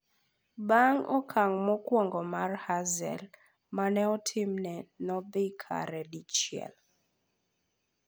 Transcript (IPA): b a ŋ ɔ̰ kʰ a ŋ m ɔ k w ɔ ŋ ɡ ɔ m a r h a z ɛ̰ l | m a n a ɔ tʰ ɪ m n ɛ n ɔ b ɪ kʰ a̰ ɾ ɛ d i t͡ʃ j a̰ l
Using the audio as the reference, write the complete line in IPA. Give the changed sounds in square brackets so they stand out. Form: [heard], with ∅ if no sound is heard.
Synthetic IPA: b a ŋ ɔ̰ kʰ a ŋ m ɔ k w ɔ ŋ ɡ ɔ m a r h a z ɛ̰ l | m a n [ɛ] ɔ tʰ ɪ m n ɛ n ɔ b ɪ kʰ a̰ ɾ ɛ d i t͡ʃ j [ɛ̰] l